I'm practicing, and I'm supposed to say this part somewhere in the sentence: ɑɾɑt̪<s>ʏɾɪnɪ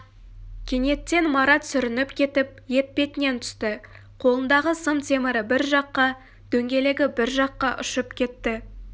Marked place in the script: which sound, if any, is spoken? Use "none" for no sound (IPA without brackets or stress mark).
s